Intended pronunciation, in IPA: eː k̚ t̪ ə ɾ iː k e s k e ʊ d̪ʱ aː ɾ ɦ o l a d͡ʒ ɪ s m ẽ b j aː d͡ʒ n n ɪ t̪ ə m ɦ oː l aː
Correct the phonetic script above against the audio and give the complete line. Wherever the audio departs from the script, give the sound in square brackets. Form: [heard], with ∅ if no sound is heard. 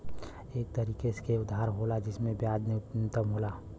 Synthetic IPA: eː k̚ t̪ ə ɾ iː k e s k e ʊ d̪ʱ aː ɾ ɦ o l a d͡ʒ ɪ s m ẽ b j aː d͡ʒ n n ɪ t̪ ə m ɦ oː l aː